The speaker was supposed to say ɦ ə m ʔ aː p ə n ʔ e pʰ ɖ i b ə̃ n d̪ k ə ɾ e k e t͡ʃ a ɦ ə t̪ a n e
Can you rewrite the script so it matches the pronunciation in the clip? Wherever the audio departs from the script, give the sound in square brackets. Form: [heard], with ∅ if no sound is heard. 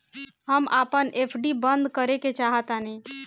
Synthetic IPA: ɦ ə m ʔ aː p ə n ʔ e pʰ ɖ i b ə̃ n d̪ k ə ɾ e k e t͡ʃ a ɦ ə t̪ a n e